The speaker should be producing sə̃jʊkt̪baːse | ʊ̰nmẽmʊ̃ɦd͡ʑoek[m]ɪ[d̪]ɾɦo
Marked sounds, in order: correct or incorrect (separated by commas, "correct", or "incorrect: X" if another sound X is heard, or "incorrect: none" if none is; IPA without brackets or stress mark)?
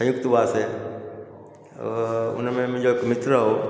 correct, incorrect: t̪